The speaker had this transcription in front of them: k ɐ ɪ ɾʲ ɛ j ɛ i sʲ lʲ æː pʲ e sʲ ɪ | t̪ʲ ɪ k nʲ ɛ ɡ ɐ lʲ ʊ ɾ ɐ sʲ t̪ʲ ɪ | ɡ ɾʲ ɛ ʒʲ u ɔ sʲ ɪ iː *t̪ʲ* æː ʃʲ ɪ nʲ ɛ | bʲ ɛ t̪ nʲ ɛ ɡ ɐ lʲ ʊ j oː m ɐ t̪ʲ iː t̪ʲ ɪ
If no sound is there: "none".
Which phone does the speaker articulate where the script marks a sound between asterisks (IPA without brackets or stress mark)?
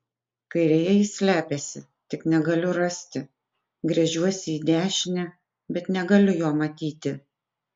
d̪ʲ